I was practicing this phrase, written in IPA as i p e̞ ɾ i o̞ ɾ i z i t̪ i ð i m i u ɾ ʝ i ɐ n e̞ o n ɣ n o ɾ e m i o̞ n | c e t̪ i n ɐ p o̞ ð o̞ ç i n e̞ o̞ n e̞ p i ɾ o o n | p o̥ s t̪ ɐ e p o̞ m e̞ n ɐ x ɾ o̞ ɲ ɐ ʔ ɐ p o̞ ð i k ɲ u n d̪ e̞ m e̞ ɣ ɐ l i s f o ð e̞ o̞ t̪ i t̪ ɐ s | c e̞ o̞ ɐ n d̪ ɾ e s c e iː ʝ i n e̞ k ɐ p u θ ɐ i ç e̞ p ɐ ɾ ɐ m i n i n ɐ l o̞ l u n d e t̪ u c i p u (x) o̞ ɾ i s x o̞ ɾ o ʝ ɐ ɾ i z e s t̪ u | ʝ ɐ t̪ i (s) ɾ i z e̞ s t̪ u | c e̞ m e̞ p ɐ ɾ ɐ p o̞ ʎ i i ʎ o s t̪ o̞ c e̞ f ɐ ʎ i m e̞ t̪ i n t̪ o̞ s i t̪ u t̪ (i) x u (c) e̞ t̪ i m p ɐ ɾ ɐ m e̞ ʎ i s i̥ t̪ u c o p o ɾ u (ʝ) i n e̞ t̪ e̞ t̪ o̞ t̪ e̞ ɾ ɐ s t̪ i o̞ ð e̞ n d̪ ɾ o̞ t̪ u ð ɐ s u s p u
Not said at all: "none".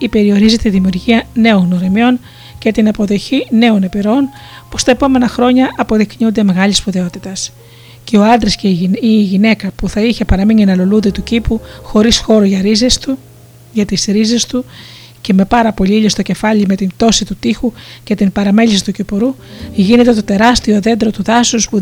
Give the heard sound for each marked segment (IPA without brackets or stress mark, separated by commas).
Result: x, s, i, c, ʝ